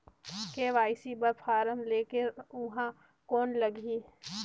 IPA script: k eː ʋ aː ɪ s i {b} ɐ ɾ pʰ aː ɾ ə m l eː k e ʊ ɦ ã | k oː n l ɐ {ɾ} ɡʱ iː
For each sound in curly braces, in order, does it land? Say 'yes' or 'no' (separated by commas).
yes, no